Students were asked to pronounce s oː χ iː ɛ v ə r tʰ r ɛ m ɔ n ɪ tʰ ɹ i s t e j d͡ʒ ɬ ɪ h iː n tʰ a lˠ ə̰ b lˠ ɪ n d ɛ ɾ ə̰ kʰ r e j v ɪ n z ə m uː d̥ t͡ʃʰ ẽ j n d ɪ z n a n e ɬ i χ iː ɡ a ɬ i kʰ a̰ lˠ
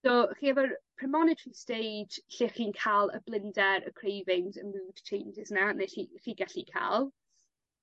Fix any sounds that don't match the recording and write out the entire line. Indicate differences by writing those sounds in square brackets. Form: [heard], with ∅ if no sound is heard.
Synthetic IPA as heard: s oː χ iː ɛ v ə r [pʰ] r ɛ m ɔ n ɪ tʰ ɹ i s t e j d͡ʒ ɬ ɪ [χ] iː n [kʰ] a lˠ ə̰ b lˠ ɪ n d ɛ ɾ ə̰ kʰ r e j v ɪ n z ə m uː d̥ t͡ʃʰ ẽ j n [d͡ʒ] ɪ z n a n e ɬ i χ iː ɡ a ɬ i kʰ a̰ lˠ